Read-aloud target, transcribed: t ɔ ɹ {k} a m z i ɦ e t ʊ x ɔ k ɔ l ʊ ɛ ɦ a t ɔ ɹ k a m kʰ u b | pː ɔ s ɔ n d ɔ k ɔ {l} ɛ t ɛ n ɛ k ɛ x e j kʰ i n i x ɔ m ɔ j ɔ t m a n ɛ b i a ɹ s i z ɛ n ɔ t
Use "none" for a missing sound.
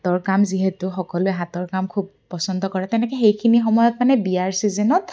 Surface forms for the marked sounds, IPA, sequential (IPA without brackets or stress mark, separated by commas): k, ɹ